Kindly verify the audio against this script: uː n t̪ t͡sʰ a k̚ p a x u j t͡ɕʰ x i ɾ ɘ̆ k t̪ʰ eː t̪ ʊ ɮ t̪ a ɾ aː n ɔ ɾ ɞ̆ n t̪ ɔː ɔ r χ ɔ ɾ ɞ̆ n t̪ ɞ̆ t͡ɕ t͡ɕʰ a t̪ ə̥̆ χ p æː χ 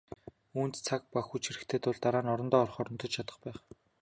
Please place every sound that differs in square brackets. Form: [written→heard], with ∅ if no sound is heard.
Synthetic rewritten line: uː n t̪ t͡sʰ a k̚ p a x u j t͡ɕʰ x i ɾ ɘ̆ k t̪ʰ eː t̪ ʊ ɮ t̪ a ɾ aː n ɔ ɾ ɞ̆ n t̪ ɔː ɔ r χ ɔ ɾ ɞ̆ n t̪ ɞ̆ t͡ɕ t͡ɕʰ a t̪ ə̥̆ χ p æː χ